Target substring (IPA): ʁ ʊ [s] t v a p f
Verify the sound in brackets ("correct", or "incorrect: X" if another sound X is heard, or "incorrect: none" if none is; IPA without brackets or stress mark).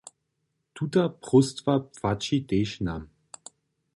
correct